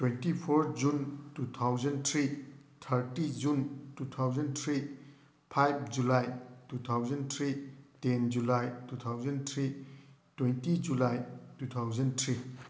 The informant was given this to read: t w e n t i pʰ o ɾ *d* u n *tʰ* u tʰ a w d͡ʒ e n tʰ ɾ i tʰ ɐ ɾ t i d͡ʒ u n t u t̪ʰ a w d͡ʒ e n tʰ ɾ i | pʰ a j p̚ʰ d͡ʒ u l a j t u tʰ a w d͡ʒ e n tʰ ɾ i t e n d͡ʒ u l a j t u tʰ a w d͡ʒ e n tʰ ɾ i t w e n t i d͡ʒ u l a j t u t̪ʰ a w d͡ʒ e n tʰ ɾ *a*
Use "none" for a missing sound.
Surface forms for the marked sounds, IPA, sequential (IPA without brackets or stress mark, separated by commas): d͡ʒ, t, i